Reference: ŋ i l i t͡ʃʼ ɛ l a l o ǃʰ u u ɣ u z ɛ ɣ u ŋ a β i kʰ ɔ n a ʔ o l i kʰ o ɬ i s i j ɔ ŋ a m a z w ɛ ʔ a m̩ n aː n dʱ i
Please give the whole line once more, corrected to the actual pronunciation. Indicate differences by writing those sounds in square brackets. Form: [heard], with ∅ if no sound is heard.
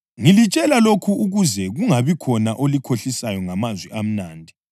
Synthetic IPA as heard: ŋ i l i t͡ʃʼ ɛ l a l o [kʰ] u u ɣ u z ɛ ɣ u ŋ a β i kʰ ɔ n a ʔ o l i kʰ o ɬ i s [a] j ɔ ŋ a m a z w ɛ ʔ a m̩ n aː n dʱ i

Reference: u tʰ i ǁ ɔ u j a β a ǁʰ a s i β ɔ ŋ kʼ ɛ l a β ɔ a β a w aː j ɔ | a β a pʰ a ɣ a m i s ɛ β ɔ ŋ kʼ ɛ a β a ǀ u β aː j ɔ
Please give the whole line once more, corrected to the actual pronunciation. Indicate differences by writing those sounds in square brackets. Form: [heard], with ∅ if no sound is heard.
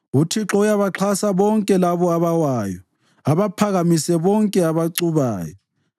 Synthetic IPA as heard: u tʰ i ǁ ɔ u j a β a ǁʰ a s [a] β ɔ ŋ kʼ ɛ l a β ɔ a β a w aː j ɔ | a β a pʰ a ɣ a m i s ɛ β ɔ ŋ kʼ ɛ a β a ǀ u β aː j ɔ

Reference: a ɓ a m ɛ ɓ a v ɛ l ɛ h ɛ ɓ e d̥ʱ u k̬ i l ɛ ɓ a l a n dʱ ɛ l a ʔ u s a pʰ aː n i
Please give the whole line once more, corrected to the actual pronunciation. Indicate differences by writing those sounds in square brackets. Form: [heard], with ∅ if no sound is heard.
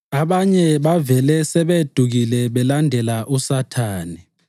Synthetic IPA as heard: a ɓ a [ɲ] ɛ ɓ a v ɛ l ɛ [s] ɛ ɓ e d̥ʱ u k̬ i l ɛ ɓ [ɛ] l a n dʱ ɛ l a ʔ u s a [tʰ] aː n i

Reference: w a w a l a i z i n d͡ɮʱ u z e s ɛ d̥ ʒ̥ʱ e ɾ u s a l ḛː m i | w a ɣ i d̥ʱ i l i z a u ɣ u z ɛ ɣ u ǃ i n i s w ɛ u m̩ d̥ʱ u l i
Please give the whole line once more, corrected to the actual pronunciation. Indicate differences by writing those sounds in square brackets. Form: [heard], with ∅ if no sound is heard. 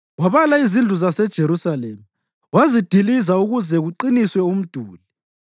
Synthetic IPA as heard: w a [β] a l a i z i n d͡ɮʱ u z [a] s ɛ d̥ ʒ̥ʱ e ɾ u s a l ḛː m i | w a [z] i d̥ʱ i l i z a u ɣ u z ɛ ɣ u ǃ i n i s w ɛ u m̩ d̥ʱ [uː] l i

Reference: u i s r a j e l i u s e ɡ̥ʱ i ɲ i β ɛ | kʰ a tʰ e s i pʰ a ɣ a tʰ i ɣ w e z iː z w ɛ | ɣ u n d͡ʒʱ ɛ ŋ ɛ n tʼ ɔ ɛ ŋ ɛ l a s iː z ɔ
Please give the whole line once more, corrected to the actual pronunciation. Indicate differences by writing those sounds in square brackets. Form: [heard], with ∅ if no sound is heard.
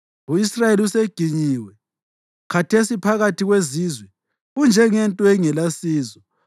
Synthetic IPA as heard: u i s r a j e l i u s e ɡ̥ʱ i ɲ i [w] ɛ | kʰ a tʰ e s i pʰ a ɣ a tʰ i ɣ w e z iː z w ɛ | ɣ u n d͡ʒʱ ɛ ŋ ɛ n tʼ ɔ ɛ ŋ ɛ l a s iː z ɔ

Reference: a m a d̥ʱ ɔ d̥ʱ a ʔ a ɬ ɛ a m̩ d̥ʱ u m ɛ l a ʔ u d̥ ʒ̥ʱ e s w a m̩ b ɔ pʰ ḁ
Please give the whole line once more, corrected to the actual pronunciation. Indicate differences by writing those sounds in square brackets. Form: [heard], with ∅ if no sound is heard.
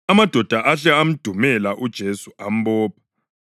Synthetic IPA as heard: a m a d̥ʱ ɔ d̥ʱ a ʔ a ɬ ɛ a m̩ d̥ʱ u m ɛ l a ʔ u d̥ ʒ̥ʱ e s [u] a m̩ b [ɔː] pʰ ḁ

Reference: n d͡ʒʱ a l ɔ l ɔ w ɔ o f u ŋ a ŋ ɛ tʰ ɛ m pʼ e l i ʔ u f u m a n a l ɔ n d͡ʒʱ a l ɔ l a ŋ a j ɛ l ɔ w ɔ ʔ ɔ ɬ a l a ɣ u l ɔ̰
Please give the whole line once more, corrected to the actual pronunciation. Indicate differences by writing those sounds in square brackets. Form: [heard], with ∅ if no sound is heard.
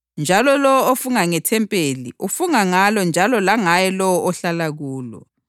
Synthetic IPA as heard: n d͡ʒʱ a l ɔ l ɔ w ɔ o f u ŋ a ŋ ɛ tʰ ɛ m pʼ e l i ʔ u f u [ŋ] a [ŋ] a l ɔ n d͡ʒʱ a l ɔ l a ŋ a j ɛ l ɔ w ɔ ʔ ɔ ɬ a l a ɣ [uː] l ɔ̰

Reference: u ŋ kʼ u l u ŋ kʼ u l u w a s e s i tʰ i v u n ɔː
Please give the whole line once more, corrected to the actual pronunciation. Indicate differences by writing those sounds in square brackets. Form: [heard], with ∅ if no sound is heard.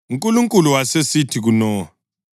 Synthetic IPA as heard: u ŋ kʼ u l u ŋ kʼ u l u w a s e s i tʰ i [ɣ] u n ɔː

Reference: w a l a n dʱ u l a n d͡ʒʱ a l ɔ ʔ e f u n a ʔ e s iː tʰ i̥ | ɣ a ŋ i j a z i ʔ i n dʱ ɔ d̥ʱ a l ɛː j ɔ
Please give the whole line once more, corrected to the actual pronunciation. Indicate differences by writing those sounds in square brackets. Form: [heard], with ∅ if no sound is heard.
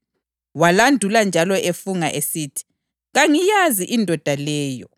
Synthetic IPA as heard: w a l a n dʱ u l a n d͡ʒʱ a l ɔ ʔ e f u [ŋ] a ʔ e s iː tʰ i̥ | ɣ a ŋ i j a z i ʔ i n dʱ ɔ d̥ʱ a l ɛː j ɔ

